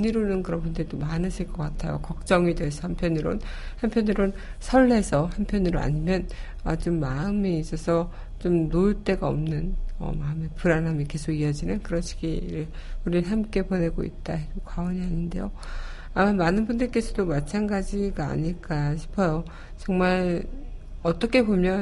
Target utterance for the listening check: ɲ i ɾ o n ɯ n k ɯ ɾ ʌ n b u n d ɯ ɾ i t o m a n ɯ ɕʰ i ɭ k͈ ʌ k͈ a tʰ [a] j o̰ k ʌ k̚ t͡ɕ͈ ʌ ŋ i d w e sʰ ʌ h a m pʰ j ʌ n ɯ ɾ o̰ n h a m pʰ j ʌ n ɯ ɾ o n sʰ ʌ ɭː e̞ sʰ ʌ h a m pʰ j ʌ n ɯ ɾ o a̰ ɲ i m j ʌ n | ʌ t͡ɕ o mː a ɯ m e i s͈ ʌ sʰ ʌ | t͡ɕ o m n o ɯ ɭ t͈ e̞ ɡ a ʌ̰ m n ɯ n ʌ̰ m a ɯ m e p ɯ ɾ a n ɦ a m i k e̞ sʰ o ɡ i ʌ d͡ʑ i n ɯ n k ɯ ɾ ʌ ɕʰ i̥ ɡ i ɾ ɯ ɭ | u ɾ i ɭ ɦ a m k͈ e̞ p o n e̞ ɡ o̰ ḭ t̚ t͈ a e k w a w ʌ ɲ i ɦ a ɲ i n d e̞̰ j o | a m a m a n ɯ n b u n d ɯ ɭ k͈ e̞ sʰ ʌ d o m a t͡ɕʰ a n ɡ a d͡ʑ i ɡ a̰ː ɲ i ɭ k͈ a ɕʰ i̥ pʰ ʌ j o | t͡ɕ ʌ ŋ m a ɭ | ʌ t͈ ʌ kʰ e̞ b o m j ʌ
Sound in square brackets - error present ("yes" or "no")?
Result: no